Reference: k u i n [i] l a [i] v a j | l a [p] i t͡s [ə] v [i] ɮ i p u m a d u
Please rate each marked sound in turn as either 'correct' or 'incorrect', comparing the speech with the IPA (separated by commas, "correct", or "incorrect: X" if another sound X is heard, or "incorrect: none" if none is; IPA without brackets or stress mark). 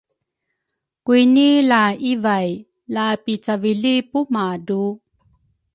correct, correct, correct, incorrect: a, correct